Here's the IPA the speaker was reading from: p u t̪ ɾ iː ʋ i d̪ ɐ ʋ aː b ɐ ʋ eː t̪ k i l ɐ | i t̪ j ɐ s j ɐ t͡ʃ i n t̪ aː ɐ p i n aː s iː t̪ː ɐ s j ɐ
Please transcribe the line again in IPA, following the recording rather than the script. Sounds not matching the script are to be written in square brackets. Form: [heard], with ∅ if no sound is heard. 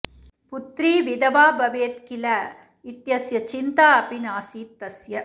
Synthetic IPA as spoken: p u t̪ ɾ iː ʋ i d̪ ɐ ʋ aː b ɐ ʋ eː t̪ k i l ɐ | i t̪ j ɐ s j ɐ t͡ʃ i n t̪ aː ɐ p i n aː s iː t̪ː ɐ s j ɐ